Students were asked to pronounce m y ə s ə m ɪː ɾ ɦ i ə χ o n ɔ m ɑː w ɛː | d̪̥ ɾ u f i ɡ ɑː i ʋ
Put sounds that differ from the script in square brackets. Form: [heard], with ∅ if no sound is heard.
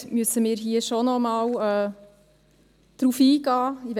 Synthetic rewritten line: m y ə s ə m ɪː ɾ ɦ i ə [ʃ] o n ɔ m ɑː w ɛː | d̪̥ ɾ u f [iː] ɡ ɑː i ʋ